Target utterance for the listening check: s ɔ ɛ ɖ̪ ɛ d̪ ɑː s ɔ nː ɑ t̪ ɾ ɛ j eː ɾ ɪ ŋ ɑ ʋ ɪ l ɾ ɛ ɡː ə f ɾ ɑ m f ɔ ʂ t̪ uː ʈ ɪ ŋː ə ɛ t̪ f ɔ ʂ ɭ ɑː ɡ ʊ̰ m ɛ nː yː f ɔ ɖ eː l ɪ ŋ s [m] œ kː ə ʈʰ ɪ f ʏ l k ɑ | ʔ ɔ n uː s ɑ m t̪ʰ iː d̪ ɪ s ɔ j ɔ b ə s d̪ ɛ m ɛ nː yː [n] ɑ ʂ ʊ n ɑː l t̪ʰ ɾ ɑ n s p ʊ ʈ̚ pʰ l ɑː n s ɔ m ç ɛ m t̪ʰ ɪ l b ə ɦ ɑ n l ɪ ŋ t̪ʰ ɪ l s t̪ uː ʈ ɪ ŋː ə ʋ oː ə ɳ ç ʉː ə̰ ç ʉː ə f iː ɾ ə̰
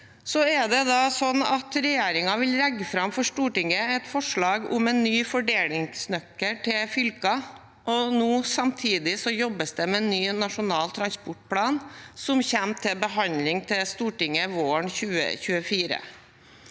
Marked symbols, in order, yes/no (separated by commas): no, yes